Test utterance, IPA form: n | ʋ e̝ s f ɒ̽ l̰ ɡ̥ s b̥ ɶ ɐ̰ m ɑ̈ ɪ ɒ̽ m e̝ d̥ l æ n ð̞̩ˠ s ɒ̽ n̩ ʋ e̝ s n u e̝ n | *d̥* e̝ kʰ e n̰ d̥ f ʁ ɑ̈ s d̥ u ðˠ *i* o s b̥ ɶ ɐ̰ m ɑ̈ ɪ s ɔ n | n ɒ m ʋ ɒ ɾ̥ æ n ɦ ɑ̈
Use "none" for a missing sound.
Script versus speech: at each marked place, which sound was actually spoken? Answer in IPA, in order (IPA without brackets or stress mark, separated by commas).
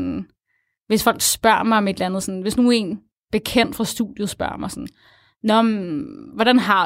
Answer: b̥, j